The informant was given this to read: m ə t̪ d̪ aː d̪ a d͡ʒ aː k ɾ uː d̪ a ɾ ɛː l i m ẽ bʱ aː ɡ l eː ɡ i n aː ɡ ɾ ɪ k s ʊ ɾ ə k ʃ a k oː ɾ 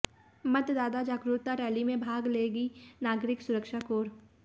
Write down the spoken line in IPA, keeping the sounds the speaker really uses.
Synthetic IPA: m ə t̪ d̪ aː d̪ a d͡ʒ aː k ɾ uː t̪ a ɾ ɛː l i m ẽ bʱ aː ɡ l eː ɡ i n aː ɡ ɾ ɪ k s ʊ ɾ ə k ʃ a k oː ɾ